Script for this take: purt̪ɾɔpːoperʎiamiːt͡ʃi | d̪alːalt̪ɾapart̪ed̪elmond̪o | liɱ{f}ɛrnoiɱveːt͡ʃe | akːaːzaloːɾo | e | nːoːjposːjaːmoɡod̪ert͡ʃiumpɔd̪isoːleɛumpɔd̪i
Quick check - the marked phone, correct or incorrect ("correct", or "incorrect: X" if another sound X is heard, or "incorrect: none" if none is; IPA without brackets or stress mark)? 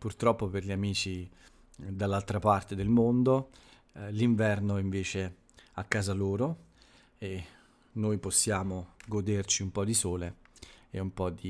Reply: incorrect: v